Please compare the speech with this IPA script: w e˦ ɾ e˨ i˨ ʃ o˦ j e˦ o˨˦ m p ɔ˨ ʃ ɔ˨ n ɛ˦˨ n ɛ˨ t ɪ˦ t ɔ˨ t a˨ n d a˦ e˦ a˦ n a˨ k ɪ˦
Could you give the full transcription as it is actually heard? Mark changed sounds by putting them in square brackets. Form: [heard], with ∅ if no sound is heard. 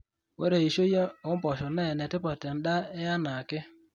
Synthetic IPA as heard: w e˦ ɾ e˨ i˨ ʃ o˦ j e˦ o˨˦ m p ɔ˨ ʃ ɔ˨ n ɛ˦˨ n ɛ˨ t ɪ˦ [p] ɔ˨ t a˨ n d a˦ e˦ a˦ n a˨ k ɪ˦